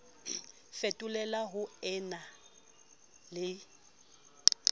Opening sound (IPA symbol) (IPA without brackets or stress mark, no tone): f